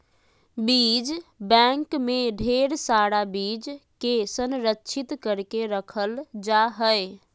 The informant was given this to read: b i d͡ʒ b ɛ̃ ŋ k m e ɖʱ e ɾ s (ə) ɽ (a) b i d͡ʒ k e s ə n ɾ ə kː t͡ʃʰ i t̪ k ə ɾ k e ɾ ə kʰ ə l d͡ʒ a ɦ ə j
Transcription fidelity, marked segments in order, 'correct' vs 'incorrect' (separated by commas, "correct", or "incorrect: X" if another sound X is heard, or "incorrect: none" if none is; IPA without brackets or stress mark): incorrect: a, correct